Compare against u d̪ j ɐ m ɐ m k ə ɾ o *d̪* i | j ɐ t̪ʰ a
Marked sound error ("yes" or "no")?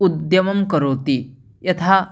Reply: yes